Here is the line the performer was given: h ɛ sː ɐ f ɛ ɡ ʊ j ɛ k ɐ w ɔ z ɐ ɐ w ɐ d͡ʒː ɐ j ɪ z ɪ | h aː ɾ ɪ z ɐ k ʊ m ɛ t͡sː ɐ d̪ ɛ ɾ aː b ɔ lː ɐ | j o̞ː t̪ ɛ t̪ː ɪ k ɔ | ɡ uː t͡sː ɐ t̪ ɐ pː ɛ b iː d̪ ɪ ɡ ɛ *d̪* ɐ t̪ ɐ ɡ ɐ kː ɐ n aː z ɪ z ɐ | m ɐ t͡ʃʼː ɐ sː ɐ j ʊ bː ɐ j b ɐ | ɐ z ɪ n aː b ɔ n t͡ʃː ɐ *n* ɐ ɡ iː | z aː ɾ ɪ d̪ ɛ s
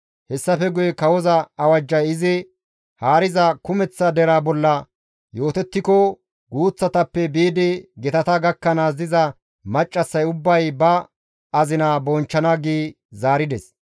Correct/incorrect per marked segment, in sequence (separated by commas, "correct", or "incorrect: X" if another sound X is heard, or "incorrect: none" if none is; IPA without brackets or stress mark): incorrect: t̪, correct